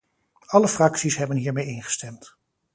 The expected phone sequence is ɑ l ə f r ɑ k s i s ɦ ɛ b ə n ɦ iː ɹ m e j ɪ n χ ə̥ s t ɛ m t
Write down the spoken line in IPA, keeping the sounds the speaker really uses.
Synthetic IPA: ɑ l ə f r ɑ k s i s ɦ ɛ b ə n ɦ iː ɹ m e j ɪ n χ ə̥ s t ɛ m t